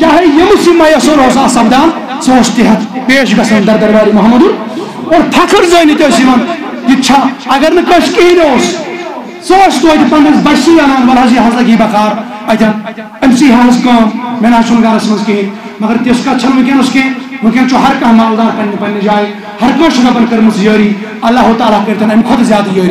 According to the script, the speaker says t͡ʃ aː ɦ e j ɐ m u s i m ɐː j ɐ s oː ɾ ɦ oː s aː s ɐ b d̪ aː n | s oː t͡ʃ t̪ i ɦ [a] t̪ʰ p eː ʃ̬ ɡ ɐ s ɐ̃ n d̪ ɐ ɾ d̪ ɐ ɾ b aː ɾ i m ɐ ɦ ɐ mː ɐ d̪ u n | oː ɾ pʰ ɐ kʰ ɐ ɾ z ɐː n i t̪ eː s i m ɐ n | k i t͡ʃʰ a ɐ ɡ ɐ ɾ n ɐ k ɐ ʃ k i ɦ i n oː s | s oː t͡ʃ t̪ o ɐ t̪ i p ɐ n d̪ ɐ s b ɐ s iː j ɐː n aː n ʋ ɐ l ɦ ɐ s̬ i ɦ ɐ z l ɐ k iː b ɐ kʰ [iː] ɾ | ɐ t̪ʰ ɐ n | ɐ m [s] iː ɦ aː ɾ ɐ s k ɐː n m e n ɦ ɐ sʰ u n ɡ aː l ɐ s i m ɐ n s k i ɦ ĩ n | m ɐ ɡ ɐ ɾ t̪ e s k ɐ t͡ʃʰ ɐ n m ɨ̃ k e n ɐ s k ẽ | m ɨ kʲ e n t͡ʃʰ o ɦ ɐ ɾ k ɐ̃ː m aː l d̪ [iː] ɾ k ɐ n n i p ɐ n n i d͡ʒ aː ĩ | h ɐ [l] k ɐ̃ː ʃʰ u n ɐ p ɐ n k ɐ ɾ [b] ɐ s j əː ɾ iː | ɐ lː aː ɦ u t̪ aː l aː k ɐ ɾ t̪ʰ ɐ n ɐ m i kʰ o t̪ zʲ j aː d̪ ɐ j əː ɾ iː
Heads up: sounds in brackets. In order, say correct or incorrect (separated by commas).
incorrect, incorrect, correct, incorrect, incorrect, incorrect